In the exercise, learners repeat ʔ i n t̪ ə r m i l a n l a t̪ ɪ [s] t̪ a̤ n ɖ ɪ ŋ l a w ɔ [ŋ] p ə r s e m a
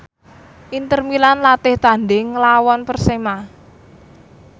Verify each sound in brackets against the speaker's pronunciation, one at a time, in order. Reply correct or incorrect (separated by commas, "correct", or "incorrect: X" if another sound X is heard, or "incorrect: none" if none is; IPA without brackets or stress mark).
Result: incorrect: h, incorrect: n